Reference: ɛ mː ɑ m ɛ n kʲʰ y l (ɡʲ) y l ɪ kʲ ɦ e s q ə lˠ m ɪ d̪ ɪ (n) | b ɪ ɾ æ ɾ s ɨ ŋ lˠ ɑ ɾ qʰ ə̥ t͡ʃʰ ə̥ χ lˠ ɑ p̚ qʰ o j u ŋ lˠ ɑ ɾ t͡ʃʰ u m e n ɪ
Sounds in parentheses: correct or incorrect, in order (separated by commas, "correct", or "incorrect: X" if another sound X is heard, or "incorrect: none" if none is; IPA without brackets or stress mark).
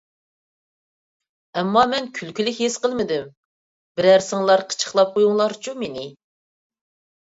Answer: incorrect: kʲ, incorrect: m